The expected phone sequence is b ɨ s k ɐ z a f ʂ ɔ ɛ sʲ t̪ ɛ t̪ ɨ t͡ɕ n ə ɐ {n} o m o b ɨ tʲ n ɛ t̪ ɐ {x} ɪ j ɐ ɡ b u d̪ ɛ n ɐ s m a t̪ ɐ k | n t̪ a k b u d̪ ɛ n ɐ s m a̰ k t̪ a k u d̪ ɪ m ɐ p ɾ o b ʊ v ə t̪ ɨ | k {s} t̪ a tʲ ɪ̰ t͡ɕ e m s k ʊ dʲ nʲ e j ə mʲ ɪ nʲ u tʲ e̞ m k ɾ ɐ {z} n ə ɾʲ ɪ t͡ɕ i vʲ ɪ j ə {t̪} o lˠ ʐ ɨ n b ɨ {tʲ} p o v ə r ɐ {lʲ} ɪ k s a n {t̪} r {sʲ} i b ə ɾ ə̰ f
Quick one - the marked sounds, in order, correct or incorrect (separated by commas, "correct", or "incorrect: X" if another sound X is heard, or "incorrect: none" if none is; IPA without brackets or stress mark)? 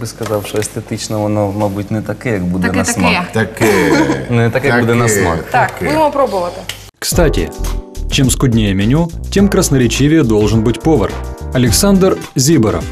correct, incorrect: k, correct, incorrect: s, incorrect: d̪, correct, correct, incorrect: d̪, incorrect: zʲ